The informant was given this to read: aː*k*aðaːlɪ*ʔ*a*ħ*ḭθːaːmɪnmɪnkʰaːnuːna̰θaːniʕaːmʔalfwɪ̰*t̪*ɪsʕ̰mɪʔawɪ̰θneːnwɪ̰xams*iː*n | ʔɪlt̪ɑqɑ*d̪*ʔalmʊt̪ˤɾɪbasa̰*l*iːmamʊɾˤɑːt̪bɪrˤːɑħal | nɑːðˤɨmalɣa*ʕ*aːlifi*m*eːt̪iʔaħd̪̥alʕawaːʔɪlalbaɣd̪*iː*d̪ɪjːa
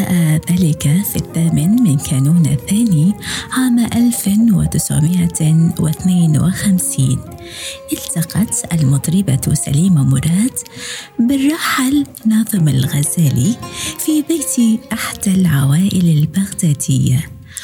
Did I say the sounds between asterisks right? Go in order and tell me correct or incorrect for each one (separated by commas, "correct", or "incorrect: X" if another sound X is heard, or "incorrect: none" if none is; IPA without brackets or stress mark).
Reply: incorrect: ʔ, incorrect: k, incorrect: f, correct, correct, incorrect: t̪, correct, incorrect: z, incorrect: b, incorrect: aː